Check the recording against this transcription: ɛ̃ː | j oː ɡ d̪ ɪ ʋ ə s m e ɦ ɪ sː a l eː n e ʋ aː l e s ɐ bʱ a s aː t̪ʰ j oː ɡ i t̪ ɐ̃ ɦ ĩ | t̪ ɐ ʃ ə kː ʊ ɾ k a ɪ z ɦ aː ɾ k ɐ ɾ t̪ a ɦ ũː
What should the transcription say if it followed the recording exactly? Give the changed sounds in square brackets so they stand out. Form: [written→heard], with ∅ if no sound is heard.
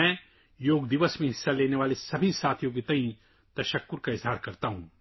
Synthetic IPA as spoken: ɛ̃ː | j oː ɡ d̪ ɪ ʋ ə s m [e→ẽ] ɦ ɪ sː a l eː n e ʋ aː l e s ɐ bʱ [a→i] s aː t̪ʰ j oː ɡ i t̪ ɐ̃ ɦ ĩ | t̪ ɐ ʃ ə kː ʊ ɾ k a ɪ z ɦ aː ɾ k ɐ ɾ t̪ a ɦ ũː